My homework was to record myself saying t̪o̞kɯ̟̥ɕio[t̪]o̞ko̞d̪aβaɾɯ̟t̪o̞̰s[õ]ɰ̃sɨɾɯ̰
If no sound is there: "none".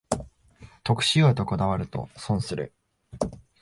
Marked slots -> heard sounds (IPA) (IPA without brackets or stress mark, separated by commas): t̪, õ